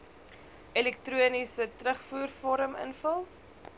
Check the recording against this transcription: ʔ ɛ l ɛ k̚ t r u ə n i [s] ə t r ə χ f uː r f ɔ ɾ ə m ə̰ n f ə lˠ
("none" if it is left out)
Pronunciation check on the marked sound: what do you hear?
s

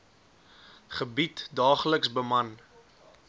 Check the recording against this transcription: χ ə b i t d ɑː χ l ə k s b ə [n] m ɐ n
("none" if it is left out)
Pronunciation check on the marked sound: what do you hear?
none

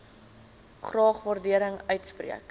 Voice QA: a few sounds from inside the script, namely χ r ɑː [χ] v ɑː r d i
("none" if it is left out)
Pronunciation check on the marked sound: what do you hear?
χ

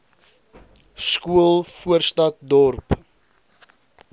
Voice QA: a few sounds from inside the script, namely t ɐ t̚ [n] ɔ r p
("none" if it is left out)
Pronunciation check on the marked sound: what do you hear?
d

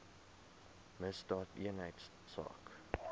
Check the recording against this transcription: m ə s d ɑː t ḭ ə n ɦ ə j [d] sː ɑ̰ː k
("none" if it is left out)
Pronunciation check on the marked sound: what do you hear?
t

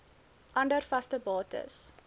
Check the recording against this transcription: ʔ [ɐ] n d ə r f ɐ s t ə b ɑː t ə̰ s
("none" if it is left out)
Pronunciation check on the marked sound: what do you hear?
ɐ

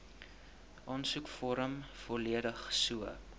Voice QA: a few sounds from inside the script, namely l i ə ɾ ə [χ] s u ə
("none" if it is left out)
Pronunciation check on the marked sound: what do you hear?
χ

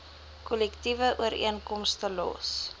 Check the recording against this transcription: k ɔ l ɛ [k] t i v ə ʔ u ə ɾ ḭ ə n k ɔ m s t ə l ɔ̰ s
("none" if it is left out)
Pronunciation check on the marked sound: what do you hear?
k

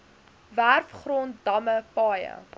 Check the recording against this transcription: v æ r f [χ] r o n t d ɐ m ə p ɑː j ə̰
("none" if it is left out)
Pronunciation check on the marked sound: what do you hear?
χ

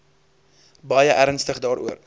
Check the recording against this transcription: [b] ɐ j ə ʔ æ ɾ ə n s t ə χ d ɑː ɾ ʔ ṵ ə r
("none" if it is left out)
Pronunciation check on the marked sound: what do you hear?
b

